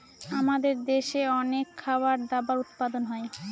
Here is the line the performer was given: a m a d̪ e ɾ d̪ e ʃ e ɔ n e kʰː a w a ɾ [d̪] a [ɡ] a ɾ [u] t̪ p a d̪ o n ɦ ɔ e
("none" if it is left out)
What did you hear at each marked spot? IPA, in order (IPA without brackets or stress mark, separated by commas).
d̪, b, u